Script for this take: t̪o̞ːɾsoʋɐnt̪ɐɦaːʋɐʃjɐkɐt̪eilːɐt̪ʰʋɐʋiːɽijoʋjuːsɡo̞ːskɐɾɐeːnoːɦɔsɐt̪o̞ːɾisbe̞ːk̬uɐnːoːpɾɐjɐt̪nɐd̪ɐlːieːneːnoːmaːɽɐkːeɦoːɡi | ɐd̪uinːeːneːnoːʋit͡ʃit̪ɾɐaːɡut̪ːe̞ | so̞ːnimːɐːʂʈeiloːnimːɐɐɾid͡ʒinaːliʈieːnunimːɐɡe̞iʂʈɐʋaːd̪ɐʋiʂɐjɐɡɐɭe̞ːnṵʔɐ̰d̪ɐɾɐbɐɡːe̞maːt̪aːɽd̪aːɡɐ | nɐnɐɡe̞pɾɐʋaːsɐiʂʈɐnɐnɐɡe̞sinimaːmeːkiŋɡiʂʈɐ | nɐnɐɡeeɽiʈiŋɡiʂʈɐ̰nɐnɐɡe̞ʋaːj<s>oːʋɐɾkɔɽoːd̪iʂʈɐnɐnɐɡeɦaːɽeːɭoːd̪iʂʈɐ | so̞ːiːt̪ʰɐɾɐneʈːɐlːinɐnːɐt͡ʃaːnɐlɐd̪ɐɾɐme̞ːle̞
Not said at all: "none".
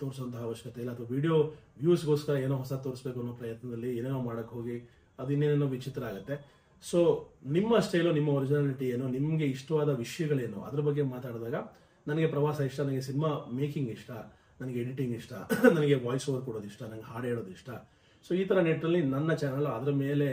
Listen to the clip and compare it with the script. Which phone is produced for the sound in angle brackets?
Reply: s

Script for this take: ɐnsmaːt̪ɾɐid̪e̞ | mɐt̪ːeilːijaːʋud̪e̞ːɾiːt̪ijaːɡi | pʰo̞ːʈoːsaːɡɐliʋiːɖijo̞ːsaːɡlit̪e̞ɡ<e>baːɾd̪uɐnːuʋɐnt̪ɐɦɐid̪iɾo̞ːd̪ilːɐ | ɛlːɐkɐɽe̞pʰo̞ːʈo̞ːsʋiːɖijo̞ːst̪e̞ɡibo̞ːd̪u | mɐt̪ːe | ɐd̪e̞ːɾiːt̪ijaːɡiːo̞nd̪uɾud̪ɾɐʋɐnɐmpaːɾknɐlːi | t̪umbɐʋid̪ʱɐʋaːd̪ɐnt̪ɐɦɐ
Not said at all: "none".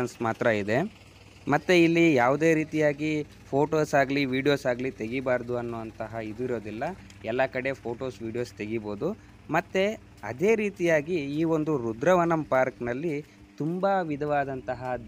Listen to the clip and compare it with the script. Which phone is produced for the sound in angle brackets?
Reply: i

